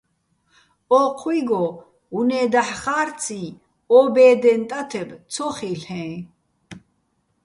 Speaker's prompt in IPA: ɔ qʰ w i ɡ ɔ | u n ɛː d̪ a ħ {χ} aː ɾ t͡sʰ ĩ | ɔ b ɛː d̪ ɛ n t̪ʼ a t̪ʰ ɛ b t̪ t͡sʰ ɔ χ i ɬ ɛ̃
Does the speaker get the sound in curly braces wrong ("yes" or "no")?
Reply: no